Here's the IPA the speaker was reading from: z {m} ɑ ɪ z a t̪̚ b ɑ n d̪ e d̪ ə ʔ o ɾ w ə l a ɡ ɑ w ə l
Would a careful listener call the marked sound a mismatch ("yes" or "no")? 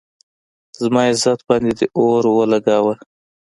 no